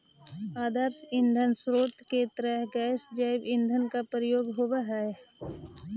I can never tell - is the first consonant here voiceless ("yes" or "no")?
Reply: no